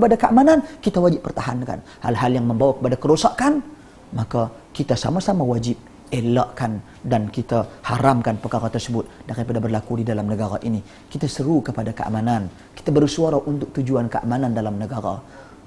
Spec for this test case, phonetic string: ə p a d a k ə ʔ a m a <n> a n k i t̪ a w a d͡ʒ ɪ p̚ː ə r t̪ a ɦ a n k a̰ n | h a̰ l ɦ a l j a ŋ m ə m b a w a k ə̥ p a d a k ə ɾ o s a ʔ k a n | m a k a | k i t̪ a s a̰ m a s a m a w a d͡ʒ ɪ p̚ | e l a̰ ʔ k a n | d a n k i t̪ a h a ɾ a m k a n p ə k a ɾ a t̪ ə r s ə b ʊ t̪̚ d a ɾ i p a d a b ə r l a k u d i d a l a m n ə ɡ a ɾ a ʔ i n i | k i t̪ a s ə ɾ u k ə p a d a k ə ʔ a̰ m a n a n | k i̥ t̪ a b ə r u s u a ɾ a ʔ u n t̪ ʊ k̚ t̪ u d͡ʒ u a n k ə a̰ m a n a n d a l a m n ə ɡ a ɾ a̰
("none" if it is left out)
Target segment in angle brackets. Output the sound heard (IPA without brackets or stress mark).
n